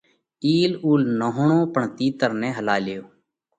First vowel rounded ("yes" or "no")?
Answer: no